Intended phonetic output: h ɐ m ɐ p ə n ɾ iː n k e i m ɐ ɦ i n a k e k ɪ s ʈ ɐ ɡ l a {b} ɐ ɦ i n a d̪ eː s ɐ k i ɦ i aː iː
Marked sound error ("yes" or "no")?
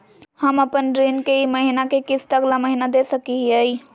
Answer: yes